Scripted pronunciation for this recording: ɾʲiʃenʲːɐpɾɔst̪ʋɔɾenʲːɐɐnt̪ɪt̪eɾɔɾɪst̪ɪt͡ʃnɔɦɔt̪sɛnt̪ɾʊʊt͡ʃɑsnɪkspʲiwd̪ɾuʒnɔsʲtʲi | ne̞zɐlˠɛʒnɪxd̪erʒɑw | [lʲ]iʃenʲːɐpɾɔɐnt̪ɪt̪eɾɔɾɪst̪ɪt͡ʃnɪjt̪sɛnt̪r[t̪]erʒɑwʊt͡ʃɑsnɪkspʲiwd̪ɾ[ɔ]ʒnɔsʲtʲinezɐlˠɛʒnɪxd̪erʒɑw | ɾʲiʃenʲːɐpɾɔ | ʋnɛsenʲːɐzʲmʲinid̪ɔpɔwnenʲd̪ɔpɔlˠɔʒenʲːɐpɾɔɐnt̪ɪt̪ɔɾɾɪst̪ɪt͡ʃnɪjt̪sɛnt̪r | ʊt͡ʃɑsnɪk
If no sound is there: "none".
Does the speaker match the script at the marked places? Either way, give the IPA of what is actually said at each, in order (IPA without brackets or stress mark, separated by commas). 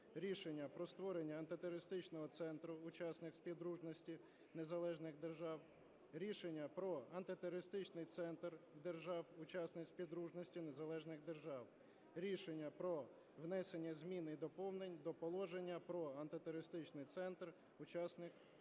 ɾʲ, d̪, u